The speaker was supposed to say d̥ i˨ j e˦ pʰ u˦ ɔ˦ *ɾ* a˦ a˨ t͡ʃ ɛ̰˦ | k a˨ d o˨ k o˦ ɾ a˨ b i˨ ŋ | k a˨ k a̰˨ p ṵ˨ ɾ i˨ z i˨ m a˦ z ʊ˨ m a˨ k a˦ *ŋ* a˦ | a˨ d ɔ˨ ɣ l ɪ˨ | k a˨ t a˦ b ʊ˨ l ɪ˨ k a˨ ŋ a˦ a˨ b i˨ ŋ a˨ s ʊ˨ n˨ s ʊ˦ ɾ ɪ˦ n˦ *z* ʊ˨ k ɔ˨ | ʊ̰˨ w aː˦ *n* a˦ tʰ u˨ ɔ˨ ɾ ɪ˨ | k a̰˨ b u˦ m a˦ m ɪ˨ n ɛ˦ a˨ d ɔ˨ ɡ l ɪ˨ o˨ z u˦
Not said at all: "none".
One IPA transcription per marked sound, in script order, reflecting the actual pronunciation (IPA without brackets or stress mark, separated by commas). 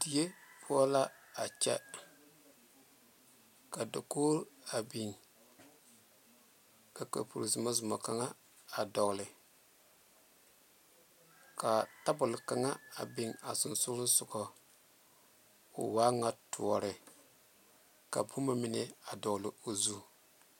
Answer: l, ŋ, s, ŋ